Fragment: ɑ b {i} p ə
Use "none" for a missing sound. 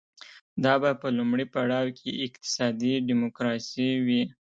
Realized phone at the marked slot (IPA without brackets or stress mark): a